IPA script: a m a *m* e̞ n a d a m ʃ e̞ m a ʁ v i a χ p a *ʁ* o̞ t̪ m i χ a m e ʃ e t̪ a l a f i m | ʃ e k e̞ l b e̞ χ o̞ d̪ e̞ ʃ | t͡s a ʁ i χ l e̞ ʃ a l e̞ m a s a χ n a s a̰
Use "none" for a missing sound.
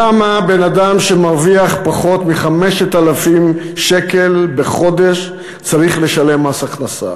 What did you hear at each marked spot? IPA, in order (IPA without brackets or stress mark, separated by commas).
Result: b, χ